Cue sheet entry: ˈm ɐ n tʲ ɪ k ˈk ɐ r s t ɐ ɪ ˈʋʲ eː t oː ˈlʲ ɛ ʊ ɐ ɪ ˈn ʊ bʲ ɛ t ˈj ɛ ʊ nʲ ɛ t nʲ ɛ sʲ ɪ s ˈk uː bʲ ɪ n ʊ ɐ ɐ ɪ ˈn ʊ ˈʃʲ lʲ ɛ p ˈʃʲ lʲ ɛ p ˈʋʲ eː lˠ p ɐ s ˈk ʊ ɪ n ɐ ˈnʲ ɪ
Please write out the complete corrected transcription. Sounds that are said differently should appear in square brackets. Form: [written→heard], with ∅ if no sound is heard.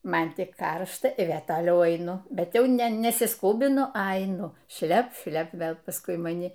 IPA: ˈm ɐ n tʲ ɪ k ˈk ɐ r [s→ʃ] t ɐ ɪ ˈʋʲ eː t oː ˈlʲ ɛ ʊ ɐ ɪ ˈn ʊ bʲ ɛ t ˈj ɛ ʊ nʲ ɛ [t→∅] nʲ ɛ sʲ ɪ s ˈk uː bʲ ɪ n ʊ ɐ ɐ ɪ ˈn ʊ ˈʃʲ lʲ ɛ p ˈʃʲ lʲ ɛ p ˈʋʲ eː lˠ p ɐ s ˈk ʊ ɪ [n→m] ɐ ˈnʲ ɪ